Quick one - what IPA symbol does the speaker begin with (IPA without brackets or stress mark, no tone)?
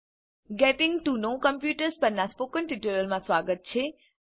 ɡ